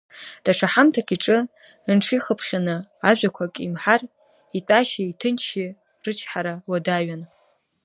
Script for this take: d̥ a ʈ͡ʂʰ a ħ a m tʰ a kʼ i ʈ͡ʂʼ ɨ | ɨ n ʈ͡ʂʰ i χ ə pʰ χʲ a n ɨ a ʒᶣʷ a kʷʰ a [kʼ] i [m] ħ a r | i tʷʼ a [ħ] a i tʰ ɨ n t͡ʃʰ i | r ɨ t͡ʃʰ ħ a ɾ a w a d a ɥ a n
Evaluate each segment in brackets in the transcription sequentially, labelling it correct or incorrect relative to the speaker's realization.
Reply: correct, correct, incorrect: ʃ

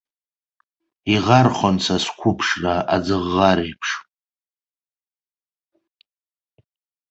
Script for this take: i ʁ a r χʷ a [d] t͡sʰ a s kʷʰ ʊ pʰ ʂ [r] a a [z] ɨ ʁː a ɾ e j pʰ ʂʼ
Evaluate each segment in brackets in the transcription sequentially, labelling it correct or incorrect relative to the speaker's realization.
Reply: incorrect: n, correct, incorrect: d͡z

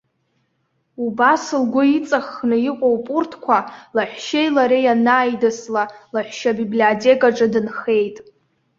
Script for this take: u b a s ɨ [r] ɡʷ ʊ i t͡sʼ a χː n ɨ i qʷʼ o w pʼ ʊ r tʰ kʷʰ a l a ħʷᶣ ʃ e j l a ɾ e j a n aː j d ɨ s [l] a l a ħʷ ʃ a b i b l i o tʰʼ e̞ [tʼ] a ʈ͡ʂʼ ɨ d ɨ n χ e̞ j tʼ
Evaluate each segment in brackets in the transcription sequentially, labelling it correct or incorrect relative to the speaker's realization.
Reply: incorrect: l, correct, incorrect: kʼ

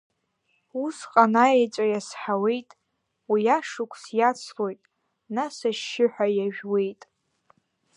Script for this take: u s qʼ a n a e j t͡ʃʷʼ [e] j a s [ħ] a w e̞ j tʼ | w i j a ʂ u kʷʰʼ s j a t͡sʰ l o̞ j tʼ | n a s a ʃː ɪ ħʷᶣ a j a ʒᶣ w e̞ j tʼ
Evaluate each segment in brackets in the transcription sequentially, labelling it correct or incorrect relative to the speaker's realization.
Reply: incorrect: a, correct

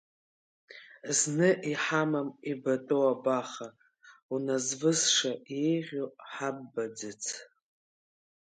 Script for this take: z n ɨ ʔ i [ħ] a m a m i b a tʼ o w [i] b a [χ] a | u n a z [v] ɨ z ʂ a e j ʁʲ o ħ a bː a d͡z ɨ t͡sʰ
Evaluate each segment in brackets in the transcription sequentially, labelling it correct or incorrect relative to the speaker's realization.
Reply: correct, incorrect: a, correct, correct

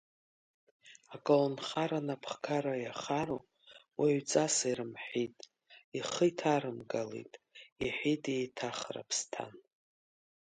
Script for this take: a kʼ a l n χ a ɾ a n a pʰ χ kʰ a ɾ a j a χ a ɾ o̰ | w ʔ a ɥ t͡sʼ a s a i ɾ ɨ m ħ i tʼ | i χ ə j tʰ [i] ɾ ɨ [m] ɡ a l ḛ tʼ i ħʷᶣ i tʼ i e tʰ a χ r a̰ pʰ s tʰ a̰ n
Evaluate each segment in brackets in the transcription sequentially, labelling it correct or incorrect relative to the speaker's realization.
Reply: incorrect: a, correct

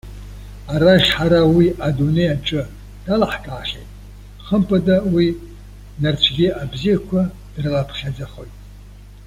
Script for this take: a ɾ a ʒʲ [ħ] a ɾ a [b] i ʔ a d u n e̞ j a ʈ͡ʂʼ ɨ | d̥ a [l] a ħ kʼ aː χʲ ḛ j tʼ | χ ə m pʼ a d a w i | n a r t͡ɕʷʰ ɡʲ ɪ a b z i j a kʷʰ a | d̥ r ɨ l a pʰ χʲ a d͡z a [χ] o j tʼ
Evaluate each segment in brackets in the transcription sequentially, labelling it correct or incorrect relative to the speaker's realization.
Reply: correct, incorrect: w, correct, correct

